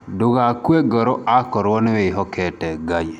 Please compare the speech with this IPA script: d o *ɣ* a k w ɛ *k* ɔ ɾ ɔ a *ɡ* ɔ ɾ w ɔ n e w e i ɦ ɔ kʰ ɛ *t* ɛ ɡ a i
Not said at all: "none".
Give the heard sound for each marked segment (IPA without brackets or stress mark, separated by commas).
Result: ɣ, ɡ, k, t